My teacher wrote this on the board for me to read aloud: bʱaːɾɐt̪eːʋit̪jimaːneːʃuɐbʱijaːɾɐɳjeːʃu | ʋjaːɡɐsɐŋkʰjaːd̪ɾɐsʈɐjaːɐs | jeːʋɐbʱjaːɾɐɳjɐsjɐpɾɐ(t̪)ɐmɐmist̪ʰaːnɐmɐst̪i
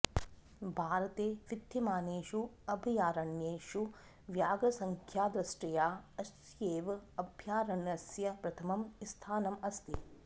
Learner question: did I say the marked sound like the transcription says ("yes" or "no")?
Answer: no